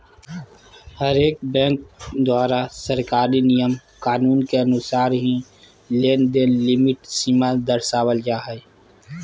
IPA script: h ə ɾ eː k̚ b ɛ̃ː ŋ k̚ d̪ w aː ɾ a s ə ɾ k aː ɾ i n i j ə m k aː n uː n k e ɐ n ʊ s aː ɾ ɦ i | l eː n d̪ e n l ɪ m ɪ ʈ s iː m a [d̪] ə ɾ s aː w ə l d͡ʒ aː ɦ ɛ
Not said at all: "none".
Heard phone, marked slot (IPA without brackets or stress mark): d̪